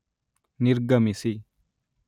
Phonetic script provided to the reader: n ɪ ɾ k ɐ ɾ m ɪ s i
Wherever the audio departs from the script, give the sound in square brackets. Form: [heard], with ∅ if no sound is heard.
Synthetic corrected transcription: n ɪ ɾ [ɡ] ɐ [∅] m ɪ s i